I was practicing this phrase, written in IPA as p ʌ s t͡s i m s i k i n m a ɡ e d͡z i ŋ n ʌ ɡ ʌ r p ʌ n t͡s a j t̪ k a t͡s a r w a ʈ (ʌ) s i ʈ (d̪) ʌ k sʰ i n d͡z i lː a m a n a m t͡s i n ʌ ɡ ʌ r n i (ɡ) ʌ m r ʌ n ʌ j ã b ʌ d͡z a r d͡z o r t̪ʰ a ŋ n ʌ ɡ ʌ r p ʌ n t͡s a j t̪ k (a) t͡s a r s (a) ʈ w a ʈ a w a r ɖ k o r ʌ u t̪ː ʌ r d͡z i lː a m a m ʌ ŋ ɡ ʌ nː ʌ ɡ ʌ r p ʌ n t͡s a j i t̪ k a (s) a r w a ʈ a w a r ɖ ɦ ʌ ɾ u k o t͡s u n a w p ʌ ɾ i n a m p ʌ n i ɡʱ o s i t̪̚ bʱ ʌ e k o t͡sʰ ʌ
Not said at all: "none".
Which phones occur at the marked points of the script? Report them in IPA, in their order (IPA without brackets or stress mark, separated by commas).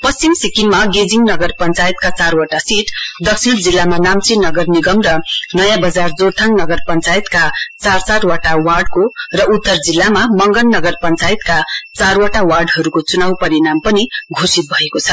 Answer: a, d̪, ɡ, a, a, t͡s